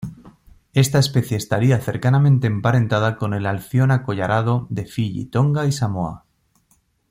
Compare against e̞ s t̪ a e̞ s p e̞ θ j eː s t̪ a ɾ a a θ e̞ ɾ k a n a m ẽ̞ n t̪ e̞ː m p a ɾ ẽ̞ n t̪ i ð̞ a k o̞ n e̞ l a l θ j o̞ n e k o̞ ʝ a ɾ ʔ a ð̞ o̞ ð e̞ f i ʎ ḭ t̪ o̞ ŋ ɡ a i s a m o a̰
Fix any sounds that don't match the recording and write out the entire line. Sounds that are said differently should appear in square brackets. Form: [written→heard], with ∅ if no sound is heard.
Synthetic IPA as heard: e̞ s t̪ a e̞ s p e̞ θ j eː s t̪ a ɾ [a→i] a θ e̞ ɾ k a n a m ẽ̞ n t̪ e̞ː m p a ɾ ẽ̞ n t̪ [i→a] ð̞ a k o̞ n e̞ l a l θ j o̞ n [e→a] k o̞ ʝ a ɾ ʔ a ð̞ o̞ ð e̞ f i ʎ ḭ t̪ o̞ ŋ ɡ a i s a m o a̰